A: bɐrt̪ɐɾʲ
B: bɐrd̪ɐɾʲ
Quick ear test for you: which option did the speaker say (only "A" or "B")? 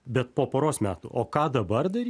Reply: B